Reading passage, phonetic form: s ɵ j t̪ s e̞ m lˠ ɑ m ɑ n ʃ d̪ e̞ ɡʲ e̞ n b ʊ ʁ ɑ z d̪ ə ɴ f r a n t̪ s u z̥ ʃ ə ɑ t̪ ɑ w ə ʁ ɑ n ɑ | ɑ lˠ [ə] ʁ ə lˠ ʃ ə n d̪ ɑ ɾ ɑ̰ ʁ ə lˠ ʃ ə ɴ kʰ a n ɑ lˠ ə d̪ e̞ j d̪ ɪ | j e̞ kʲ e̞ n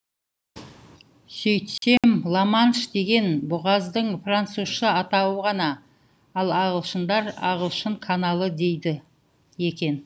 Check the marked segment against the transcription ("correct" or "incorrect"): incorrect